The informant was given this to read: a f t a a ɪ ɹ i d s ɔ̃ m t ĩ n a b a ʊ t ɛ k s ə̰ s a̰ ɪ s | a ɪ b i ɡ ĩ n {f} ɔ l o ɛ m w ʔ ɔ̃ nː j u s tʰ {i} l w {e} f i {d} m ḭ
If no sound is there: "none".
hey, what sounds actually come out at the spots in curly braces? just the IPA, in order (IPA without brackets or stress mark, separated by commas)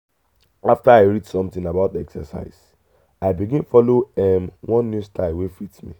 f, a, e, t